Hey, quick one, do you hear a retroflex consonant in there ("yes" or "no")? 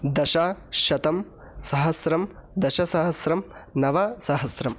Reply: no